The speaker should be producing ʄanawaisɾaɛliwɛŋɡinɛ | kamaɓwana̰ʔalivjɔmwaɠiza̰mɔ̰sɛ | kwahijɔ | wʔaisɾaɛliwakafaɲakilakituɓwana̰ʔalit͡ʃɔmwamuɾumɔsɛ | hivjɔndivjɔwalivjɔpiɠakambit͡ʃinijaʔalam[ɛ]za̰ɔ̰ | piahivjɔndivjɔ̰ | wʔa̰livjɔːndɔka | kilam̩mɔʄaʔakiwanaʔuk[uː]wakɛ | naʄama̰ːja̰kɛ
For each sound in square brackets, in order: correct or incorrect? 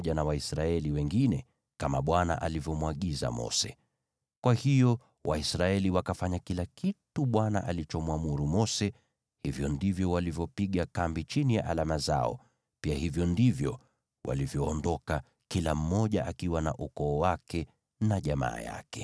incorrect, incorrect

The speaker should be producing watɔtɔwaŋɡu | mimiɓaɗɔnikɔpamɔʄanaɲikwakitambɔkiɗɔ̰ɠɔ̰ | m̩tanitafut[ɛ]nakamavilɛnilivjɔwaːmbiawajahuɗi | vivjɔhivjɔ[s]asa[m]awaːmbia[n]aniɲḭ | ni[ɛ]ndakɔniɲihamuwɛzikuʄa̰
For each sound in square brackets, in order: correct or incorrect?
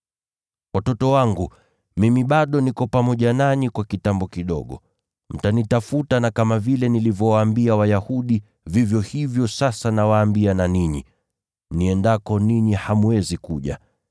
incorrect, correct, incorrect, correct, correct

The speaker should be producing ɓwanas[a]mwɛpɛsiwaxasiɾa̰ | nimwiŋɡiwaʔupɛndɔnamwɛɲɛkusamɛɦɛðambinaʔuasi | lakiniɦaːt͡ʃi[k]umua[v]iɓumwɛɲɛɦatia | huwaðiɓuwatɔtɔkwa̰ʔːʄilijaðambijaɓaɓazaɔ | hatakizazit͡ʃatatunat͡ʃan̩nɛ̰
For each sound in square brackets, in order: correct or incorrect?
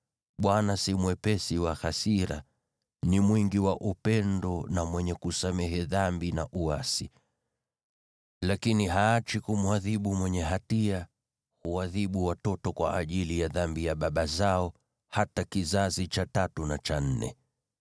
incorrect, correct, incorrect

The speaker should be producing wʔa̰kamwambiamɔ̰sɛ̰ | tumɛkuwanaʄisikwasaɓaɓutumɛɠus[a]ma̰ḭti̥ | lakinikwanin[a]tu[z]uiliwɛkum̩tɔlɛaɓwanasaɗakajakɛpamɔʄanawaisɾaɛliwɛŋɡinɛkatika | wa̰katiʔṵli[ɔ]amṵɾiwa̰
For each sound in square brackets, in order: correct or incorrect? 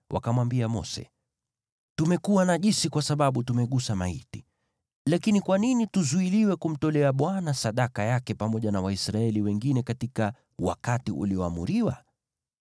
correct, incorrect, correct, correct

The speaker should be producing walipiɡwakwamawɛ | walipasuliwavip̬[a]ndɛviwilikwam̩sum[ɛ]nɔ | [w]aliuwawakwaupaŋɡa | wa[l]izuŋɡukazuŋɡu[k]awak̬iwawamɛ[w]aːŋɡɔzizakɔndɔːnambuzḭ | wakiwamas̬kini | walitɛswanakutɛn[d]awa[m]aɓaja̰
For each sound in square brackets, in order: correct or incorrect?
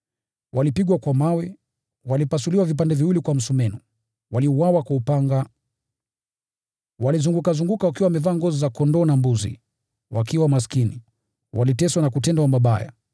correct, correct, correct, correct, correct, incorrect, correct, correct

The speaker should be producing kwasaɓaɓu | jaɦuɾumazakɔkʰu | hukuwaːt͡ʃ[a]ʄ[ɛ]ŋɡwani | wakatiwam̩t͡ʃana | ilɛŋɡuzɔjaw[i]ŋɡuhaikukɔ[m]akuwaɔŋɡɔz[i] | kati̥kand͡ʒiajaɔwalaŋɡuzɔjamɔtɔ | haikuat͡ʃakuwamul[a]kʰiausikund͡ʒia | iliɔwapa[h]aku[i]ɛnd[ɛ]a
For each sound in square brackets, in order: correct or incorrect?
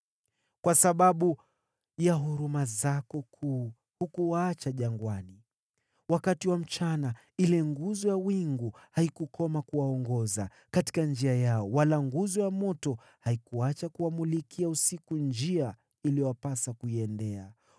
correct, incorrect, correct, correct, incorrect, incorrect, incorrect, correct, correct

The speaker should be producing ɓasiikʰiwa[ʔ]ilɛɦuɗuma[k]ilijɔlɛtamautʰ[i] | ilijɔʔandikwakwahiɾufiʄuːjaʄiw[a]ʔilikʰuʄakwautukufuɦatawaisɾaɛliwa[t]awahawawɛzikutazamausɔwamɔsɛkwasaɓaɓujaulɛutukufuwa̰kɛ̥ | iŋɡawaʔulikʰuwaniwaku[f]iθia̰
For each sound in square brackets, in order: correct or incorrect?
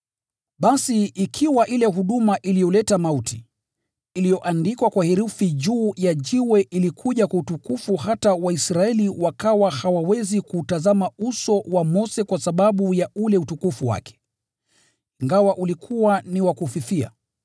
correct, incorrect, correct, incorrect, incorrect, correct

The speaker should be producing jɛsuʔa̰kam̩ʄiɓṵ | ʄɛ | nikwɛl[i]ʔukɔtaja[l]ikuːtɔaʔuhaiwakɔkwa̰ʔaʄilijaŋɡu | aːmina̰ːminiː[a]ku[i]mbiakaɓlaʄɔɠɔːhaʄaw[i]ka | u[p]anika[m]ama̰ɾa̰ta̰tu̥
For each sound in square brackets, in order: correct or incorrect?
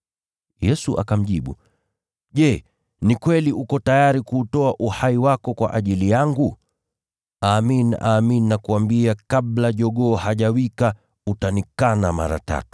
correct, incorrect, correct, incorrect, correct, incorrect, incorrect

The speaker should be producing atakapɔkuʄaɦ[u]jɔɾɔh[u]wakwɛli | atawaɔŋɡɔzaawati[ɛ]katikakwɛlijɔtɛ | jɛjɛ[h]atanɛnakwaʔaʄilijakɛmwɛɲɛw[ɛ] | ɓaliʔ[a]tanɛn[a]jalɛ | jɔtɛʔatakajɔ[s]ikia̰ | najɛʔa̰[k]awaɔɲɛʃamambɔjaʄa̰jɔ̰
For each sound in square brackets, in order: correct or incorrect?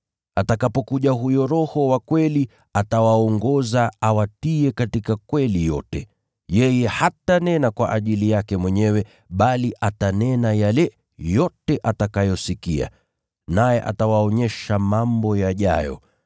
correct, incorrect, correct, correct, correct, correct, correct, correct, incorrect

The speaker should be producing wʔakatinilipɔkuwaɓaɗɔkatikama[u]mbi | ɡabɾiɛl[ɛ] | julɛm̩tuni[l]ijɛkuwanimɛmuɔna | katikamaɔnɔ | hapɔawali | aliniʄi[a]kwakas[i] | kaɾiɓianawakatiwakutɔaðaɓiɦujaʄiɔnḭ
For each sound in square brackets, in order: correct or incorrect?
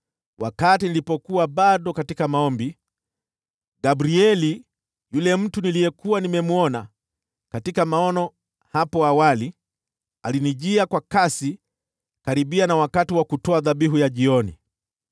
incorrect, incorrect, correct, correct, correct

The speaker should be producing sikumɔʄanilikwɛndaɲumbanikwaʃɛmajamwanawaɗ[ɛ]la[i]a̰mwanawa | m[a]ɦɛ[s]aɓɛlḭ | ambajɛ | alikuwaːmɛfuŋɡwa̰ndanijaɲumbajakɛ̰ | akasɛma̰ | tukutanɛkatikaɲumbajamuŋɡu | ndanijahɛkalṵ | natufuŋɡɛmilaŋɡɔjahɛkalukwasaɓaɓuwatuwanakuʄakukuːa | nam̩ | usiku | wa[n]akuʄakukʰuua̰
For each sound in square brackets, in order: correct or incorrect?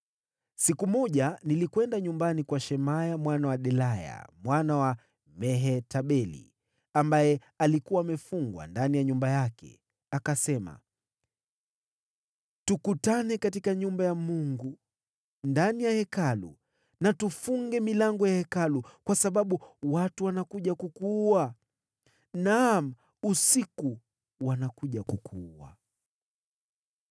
correct, incorrect, incorrect, incorrect, correct

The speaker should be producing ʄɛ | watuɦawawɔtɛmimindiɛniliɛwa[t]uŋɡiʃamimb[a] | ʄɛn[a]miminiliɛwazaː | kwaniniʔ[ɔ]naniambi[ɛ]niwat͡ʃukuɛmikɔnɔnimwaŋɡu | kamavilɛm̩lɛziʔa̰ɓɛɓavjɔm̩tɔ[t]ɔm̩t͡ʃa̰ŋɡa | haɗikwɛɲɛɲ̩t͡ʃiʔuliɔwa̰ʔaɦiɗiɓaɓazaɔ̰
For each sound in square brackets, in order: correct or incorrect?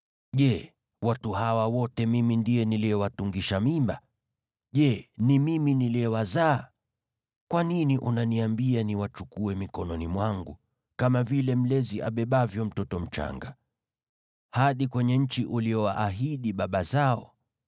correct, correct, incorrect, incorrect, incorrect, correct

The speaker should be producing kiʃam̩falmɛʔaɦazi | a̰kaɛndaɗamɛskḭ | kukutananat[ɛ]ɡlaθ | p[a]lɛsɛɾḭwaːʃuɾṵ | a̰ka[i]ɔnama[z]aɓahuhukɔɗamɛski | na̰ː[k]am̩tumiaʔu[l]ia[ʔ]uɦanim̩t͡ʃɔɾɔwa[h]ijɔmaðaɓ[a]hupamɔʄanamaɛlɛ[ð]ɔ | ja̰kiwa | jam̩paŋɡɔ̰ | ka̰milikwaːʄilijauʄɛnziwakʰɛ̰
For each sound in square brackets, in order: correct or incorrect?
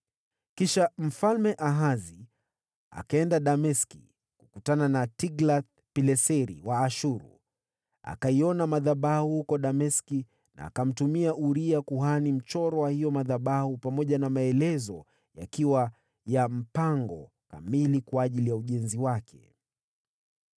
incorrect, incorrect, correct, incorrect, correct, incorrect, incorrect, correct, correct, incorrect

